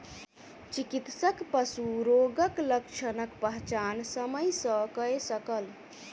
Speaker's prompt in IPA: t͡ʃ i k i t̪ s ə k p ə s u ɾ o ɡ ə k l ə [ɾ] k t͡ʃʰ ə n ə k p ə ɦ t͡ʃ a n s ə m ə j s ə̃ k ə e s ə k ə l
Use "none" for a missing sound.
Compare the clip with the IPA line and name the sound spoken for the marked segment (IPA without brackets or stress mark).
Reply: none